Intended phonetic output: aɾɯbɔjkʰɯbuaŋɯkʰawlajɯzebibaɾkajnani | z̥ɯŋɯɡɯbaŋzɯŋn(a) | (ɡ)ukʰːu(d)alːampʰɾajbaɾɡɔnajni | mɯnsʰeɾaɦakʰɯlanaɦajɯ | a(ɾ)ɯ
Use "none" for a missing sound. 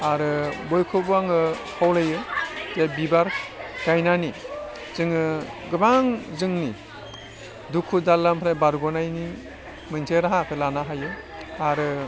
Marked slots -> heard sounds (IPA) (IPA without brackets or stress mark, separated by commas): i, d, d, ɾ